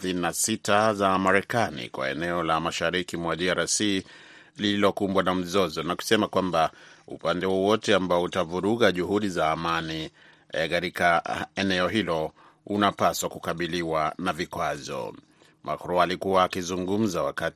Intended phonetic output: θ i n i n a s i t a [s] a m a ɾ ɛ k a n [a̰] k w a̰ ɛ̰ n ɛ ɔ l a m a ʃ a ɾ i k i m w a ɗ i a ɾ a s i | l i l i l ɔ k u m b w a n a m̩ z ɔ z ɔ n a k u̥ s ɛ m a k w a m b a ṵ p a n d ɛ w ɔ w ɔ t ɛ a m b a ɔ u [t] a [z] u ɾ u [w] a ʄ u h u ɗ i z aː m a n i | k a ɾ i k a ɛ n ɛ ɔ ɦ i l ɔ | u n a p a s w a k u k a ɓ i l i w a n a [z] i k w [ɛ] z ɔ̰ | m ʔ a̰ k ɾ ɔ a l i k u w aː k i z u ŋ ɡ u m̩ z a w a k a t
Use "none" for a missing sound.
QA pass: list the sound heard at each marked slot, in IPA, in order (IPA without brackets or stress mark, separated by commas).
z, ḭ, t, v, ɣ, v, a